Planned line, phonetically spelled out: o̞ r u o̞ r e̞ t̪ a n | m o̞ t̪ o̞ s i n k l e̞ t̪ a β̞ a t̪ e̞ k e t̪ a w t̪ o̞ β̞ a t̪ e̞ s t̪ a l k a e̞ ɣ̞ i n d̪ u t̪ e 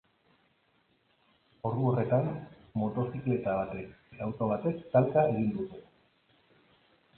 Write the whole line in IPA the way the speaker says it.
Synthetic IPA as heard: o̞ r u o̞ r e̞ t̪ a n | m o̞ t̪ o̞ s i k l e̞ t̪ a β̞ a t̪ e̞ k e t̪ a w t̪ o̞ β̞ a t̪ e̞ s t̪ a l k a e̞ ɣ̞ i n d̪ u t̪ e